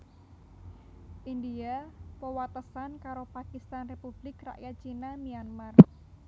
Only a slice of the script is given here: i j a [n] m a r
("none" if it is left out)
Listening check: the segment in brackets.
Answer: n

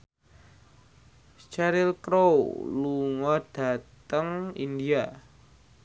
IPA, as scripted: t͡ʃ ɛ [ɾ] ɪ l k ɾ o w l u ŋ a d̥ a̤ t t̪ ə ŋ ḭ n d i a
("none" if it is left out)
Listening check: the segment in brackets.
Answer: ɾ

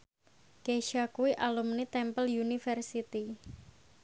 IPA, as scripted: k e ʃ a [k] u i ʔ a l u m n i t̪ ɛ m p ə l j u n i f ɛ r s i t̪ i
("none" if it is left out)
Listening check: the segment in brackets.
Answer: k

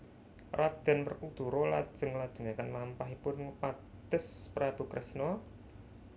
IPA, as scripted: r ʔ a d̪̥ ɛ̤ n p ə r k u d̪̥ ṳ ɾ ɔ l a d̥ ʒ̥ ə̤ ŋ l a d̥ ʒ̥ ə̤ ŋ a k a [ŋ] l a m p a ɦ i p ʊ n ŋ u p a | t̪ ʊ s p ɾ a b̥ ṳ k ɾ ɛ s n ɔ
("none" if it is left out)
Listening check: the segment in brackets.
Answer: n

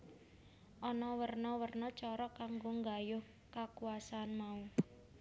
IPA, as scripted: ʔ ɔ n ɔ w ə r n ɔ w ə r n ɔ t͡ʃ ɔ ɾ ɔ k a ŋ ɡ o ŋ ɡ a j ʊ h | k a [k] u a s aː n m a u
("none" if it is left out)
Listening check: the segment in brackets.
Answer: k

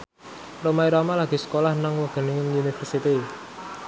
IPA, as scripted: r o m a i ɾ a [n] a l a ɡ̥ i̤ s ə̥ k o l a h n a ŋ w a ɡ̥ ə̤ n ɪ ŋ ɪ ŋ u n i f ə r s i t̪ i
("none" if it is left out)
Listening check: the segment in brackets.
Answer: m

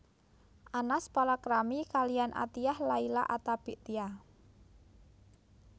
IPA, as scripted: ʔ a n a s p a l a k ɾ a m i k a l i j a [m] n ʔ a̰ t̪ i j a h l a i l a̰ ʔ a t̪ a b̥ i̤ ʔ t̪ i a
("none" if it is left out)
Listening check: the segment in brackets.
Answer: none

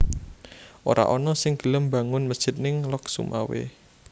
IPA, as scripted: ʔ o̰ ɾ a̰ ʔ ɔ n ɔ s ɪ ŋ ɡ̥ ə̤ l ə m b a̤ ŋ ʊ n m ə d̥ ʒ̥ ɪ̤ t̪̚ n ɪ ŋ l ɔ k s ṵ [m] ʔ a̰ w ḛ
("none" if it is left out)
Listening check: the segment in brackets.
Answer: m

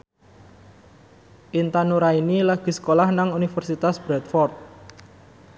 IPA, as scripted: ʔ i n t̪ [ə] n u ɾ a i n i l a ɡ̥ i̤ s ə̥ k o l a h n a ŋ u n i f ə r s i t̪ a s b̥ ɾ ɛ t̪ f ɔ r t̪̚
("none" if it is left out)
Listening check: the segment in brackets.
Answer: a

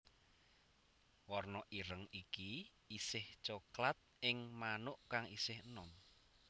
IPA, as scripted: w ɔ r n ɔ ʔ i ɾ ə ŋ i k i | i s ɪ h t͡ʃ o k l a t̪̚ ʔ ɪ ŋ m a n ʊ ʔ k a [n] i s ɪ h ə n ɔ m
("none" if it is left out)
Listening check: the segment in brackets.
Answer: ŋ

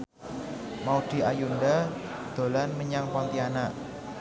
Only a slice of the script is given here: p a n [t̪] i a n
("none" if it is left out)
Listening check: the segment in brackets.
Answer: t̪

